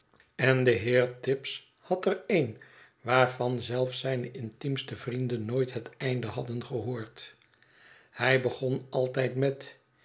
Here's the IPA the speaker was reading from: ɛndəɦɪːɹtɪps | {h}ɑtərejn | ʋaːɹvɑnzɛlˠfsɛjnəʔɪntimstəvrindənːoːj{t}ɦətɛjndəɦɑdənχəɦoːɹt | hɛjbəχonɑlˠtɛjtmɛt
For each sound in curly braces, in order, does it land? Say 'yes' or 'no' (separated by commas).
yes, yes